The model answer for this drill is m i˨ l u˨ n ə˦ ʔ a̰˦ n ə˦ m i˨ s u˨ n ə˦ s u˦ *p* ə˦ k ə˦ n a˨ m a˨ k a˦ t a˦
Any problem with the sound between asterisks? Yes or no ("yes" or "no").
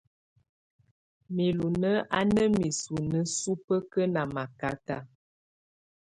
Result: no